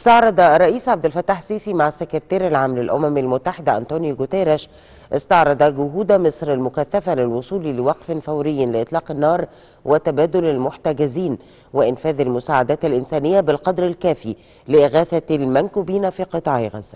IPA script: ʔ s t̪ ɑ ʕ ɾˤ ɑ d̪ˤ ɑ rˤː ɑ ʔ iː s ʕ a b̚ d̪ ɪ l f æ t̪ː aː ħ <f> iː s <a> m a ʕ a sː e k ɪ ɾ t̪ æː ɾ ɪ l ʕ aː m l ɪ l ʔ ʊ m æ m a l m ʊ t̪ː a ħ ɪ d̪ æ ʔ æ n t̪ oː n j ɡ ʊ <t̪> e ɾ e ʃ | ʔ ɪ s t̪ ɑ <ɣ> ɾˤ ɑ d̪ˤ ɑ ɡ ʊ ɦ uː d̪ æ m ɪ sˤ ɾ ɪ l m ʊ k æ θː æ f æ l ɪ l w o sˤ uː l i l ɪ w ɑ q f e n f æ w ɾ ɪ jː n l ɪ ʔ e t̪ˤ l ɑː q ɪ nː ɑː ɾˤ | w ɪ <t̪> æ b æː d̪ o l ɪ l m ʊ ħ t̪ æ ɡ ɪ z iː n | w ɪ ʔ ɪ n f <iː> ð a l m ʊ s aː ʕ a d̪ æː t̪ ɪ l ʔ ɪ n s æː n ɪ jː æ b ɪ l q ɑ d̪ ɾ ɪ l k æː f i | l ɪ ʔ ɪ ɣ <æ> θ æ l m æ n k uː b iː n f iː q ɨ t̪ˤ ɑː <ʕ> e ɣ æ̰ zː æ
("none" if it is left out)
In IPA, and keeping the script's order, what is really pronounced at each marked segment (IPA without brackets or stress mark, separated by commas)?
s, i, t̪, ʕ, t̪, æː, æː, ʕ